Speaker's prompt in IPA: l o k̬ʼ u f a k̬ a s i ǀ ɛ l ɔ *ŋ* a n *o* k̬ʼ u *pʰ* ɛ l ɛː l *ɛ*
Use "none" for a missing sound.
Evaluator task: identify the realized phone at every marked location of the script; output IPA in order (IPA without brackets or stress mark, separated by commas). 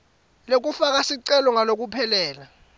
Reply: ŋ, o, pʰ, a